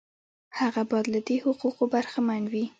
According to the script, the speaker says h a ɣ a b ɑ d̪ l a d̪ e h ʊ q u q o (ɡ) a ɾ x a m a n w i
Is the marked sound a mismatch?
yes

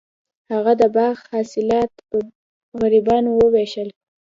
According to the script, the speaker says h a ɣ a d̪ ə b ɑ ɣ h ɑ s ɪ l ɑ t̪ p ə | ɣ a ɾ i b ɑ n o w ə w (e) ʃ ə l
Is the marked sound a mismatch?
no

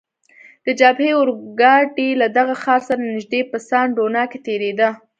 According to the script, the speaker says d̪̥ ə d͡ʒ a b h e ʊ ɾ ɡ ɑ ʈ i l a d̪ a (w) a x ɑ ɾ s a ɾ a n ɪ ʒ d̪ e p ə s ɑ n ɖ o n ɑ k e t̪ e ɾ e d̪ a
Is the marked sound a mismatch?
yes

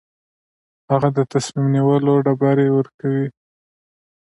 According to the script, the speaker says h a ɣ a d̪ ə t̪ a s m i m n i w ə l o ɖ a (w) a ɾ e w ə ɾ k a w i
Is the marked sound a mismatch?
yes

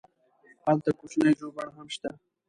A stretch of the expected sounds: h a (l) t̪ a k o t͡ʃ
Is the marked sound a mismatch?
no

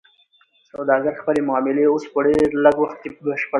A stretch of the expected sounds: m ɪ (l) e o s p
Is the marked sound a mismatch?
no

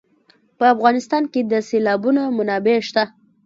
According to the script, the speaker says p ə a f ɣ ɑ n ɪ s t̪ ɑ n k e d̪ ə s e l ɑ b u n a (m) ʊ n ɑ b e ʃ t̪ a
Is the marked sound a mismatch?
no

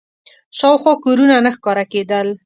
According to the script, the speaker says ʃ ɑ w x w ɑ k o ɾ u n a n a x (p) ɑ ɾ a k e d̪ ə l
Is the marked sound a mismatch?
yes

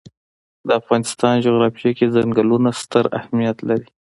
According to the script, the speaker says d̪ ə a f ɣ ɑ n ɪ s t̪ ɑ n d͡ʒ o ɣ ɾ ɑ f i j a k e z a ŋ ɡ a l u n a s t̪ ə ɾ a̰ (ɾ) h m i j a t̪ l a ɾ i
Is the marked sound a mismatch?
yes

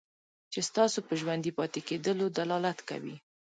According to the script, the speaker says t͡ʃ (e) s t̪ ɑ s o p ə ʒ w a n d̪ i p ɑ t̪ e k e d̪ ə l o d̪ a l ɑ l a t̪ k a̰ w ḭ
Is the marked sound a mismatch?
no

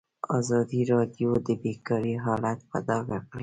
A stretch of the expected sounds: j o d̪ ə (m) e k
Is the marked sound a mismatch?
yes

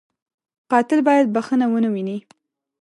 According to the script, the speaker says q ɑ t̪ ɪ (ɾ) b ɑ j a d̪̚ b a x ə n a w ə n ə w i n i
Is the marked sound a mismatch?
yes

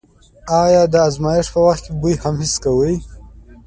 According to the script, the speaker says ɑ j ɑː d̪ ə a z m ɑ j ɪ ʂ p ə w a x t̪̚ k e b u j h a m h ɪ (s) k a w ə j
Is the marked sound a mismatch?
no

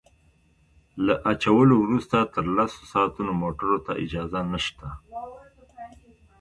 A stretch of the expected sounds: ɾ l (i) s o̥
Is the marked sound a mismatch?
yes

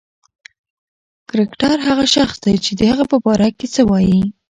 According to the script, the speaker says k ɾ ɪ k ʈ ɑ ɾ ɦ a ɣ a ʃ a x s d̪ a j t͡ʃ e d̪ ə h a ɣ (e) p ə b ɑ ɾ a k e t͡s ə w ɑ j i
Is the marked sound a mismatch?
yes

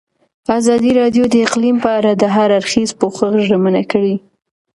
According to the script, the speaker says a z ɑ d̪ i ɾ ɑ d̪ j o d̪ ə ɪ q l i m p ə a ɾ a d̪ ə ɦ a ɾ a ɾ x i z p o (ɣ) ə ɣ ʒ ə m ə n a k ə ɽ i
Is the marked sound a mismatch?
yes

